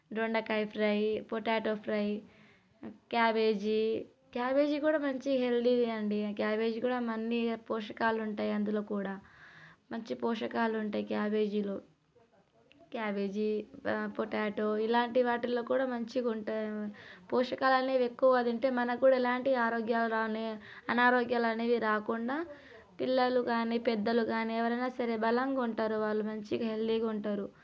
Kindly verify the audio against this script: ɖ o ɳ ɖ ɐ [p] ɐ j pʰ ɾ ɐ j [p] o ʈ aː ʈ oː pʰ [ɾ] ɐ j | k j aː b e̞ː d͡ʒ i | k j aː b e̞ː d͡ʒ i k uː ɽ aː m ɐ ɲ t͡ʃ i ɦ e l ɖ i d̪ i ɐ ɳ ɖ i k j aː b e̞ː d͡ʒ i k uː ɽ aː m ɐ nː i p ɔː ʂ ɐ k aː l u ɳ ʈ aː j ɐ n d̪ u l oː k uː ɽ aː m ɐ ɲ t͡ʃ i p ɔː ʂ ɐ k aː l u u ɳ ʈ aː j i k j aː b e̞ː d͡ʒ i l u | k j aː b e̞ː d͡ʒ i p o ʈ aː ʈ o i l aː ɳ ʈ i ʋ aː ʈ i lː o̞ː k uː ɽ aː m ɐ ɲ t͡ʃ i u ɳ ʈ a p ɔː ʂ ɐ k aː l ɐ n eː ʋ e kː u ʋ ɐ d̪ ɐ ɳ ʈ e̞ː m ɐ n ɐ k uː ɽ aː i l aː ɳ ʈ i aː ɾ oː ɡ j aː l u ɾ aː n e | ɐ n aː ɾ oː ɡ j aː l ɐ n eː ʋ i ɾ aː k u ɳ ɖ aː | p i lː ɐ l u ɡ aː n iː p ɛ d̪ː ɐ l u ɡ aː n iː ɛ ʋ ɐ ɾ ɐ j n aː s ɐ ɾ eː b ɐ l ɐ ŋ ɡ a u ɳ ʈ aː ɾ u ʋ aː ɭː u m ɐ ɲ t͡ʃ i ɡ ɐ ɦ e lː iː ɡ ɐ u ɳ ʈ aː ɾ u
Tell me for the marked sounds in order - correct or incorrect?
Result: incorrect: k, correct, correct

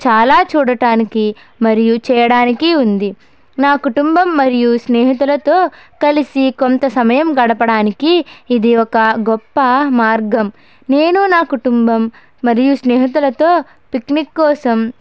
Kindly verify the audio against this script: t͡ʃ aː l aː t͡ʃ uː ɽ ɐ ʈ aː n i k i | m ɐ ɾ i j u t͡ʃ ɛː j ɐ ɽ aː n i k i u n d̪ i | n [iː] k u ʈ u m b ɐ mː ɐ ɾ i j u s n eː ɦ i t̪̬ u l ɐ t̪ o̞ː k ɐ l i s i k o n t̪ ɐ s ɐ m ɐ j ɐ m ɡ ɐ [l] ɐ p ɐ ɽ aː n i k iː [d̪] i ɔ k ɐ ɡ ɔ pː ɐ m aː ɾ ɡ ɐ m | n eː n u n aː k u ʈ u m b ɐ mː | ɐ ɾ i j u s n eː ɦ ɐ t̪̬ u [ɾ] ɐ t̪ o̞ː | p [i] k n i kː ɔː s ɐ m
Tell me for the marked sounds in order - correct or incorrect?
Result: incorrect: aː, incorrect: ɽ, correct, incorrect: l, correct

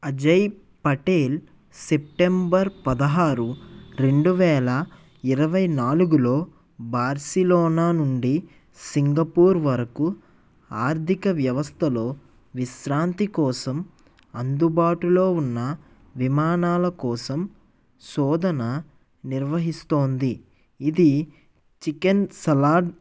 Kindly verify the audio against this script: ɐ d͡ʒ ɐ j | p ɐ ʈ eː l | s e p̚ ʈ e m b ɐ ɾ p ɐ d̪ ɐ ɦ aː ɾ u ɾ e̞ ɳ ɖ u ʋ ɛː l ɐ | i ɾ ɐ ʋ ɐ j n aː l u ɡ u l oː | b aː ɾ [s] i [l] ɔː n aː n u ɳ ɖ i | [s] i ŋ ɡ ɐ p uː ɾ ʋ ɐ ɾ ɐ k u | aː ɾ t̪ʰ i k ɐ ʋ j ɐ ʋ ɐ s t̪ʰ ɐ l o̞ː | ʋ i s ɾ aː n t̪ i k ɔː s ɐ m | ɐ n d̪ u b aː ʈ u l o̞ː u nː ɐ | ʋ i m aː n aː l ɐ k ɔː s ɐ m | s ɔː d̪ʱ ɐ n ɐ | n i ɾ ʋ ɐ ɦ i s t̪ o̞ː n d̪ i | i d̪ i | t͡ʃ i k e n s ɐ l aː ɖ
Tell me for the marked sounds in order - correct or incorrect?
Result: correct, correct, correct

